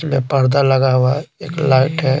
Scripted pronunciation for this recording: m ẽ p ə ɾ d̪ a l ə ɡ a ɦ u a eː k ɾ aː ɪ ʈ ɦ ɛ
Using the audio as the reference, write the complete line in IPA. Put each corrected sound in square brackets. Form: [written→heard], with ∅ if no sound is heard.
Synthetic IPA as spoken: m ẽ p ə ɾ d̪ a l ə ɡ a ɦ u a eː k [ɾ→l] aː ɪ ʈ ɦ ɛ

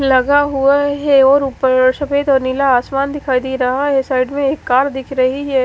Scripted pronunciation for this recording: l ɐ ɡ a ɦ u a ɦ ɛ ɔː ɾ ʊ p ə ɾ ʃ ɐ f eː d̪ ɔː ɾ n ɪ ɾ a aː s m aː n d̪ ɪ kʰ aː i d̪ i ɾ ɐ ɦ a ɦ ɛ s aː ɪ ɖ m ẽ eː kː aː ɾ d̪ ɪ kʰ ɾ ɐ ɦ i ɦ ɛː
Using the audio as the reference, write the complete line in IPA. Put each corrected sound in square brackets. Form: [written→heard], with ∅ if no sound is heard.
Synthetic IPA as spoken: l ɐ ɡ a ɦ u a ɦ ɛ ɔː ɾ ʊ p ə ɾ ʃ ɐ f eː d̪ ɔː ɾ n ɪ [ɾ→l] a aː s m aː n d̪ ɪ kʰ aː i d̪ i ɾ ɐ ɦ a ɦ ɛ s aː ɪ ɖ m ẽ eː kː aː ɾ d̪ ɪ kʰ ɾ ɐ ɦ i ɦ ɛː

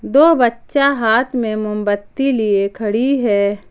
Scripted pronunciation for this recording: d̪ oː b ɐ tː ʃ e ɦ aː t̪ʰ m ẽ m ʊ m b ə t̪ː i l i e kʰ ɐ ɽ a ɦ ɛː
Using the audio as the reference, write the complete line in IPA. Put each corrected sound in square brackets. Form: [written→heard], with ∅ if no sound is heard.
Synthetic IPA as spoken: d̪ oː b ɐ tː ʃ [e→a] ɦ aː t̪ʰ m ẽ m ʊ m b ə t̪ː i l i e kʰ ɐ ɽ [a→i] ɦ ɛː

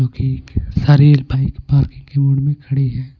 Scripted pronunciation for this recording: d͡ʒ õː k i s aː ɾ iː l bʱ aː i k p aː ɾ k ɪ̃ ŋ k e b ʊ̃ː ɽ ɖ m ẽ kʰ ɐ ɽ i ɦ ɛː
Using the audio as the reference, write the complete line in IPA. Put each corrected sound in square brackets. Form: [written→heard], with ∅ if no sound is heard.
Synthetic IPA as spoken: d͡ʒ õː k i s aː ɾ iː l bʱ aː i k p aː ɾ k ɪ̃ ŋ k e [b→m] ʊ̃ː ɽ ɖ m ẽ kʰ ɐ ɽ i ɦ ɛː

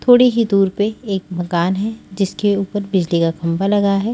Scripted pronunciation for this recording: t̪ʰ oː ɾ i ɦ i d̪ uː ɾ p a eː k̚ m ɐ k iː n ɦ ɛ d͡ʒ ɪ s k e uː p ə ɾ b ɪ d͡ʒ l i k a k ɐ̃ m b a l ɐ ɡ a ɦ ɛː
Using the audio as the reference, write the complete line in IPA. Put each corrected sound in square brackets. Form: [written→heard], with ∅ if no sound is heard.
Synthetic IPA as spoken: t̪ʰ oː [ɾ→ɽ] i ɦ i d̪ uː ɾ p [a→e] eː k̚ m ɐ k [iː→aː] n ɦ ɛ d͡ʒ ɪ s k e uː p ə ɾ b ɪ d͡ʒ l i k a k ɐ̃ m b a l ɐ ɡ a ɦ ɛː

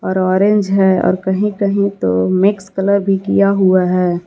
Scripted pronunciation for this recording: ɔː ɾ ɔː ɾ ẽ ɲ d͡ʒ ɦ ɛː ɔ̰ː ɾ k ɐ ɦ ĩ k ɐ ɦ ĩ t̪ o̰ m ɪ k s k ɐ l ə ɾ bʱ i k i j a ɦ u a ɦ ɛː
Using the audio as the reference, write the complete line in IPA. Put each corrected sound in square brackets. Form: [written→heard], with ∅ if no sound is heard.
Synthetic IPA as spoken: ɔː ɾ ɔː ɾ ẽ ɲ d͡ʒ ɦ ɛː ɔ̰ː ɾ k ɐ ɦ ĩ k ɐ ɦ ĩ t̪ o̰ m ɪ k s k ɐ l ə ɾ bʱ i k i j a ɦ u a ɦ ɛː

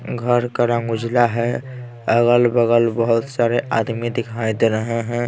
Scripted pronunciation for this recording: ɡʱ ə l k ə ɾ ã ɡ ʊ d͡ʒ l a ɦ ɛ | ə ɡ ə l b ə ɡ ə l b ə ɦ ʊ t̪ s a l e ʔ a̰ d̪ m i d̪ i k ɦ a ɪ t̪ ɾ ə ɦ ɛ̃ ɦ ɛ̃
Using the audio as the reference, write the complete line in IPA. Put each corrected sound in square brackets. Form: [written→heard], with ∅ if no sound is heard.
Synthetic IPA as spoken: ɡʱ ə [l→ɾ] k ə ɾ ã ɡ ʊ d͡ʒ l a ɦ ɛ | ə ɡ ə l b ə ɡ ə l b ə ɦ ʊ t̪ s a [l→ɾ] e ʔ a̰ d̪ m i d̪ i k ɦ a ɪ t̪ ɾ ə ɦ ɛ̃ ɦ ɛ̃

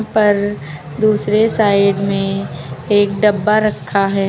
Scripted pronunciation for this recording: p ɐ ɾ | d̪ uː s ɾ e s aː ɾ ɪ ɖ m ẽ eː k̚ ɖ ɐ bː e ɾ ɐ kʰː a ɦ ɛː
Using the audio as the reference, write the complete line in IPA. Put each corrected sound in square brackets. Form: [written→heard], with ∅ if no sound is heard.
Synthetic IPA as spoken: p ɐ ɾ | d̪ uː s ɾ e s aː [ɾ→∅] ɪ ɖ m ẽ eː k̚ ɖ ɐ bː [e→a] ɾ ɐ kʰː a ɦ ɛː

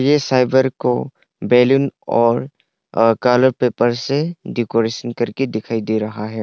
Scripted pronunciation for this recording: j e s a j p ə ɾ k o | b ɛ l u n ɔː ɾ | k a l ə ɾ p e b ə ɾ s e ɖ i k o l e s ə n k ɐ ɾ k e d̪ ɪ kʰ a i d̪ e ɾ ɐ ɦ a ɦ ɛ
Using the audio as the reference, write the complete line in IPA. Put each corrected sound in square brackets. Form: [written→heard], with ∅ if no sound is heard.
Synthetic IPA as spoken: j e s a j [p→b] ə ɾ k o | b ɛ l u n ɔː ɾ | k a l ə ɾ p e [b→p] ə ɾ s e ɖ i k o [l→ɾ] e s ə n k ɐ ɾ k e d̪ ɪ kʰ a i d̪ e ɾ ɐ ɦ a ɦ ɛ

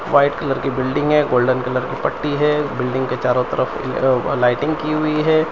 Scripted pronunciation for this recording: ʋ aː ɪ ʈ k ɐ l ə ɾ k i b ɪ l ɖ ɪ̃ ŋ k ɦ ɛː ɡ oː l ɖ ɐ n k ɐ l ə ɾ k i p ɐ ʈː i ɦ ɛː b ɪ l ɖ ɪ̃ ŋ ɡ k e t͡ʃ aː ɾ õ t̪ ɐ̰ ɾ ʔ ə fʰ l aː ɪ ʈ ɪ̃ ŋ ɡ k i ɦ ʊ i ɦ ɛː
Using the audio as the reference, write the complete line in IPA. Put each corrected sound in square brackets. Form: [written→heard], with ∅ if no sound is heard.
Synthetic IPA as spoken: ʋ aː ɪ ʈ k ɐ l ə ɾ k i b ɪ l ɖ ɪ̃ ŋ [k→ɡ] ɦ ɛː ɡ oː l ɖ [ɐ→ə] n k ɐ l ə ɾ k i p ɐ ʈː i ɦ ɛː b ɪ l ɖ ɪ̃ ŋ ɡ k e t͡ʃ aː ɾ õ t̪ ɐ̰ ɾ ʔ ə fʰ l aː ɪ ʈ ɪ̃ ŋ ɡ k i ɦ ʊ i ɦ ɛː

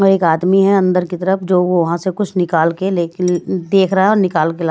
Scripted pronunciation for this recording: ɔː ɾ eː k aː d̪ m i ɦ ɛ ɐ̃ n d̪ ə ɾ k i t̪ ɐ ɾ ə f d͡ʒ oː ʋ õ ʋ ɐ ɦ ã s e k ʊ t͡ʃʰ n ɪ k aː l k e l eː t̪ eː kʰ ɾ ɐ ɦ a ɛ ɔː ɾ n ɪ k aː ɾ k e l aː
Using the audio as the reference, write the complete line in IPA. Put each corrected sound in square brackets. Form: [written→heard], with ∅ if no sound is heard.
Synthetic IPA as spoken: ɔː ɾ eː k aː d̪ m i ɦ ɛ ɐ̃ n d̪ ə ɾ k i t̪ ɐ ɾ ə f d͡ʒ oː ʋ [õ→o] ʋ ɐ ɦ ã s e k ʊ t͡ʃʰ n ɪ k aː l k e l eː [t̪→d̪] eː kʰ ɾ ɐ ɦ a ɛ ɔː ɾ n ɪ k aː [ɾ→l] k e l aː

